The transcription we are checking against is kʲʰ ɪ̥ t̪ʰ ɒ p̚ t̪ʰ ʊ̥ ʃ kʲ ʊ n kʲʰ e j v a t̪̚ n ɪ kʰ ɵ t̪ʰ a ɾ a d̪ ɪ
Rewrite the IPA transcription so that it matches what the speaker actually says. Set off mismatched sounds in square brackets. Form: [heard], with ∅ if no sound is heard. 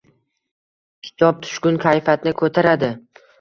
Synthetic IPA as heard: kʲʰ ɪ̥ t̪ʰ ɒ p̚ t̪ʰ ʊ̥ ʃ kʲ ʊ n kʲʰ [a] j [f] a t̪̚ n ɪ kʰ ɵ t̪ʰ a ɾ a d̪ ɪ